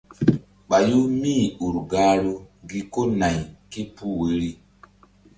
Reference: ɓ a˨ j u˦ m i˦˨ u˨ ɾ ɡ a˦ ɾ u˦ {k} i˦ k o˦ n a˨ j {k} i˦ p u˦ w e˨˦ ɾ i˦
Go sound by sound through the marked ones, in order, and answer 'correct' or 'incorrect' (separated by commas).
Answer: incorrect, correct